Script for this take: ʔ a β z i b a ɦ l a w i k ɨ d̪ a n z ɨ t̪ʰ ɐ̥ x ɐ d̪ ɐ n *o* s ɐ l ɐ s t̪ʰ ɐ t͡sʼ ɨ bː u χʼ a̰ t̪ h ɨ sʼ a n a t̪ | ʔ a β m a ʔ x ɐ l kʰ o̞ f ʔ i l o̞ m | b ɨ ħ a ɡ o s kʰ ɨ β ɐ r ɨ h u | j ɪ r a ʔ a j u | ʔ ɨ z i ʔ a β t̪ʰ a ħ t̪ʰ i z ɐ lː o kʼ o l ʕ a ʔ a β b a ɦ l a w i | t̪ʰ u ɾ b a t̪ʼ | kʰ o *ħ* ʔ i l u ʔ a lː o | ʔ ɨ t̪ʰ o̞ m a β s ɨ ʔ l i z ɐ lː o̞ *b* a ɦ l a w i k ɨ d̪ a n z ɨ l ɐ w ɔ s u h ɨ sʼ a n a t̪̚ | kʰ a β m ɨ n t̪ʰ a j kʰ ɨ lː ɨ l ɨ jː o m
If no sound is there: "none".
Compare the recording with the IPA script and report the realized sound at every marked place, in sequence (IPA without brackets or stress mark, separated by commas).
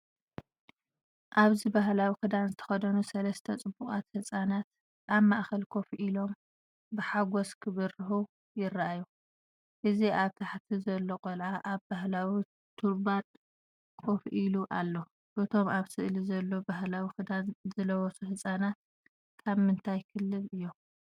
u, f, b